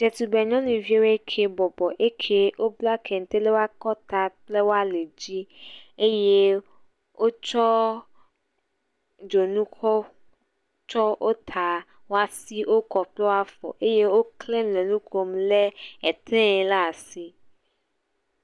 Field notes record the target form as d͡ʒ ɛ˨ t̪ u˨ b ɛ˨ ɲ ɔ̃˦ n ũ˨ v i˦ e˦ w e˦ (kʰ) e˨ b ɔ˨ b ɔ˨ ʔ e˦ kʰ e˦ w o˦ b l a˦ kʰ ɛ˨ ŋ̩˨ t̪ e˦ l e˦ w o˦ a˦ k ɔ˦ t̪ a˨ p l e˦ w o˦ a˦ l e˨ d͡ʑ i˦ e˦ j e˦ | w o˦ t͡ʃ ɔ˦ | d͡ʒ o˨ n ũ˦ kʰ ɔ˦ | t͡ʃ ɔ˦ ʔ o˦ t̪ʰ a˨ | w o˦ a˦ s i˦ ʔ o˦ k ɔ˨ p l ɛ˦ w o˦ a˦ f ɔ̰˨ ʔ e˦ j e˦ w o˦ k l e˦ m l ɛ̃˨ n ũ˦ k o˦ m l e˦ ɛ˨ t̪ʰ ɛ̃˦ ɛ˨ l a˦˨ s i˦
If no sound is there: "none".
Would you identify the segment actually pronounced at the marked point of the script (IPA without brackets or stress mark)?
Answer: kʰ